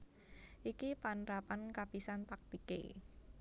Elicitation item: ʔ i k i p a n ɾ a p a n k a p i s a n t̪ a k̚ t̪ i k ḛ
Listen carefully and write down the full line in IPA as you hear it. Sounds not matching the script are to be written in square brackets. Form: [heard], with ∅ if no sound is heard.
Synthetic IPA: ʔ i k i p a n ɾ a p a n k a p i s a n t̪ a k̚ t̪ i k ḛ